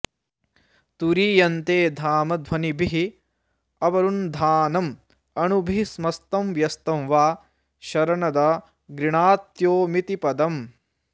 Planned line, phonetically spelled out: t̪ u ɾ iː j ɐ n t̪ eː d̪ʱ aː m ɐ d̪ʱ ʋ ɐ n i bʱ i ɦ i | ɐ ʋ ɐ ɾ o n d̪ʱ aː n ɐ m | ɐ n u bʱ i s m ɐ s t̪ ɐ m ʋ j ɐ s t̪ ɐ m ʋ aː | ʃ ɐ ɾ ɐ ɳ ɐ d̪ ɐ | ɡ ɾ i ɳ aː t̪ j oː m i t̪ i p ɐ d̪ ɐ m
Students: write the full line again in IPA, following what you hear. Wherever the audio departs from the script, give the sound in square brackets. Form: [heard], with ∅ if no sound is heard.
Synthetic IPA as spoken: t̪ u ɾ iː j ɐ n t̪ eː d̪ʱ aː m ɐ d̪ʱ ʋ ɐ n i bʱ i ɦ i | ɐ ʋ ɐ ɾ [u] n d̪ʱ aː n ɐ m | ɐ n u bʱ i s m ɐ s t̪ ɐ m ʋ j ɐ s t̪ ɐ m ʋ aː | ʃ ɐ ɾ ɐ ɳ ɐ d̪ ɐ | ɡ ɾ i ɳ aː t̪ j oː m i t̪ i p ɐ d̪ ɐ m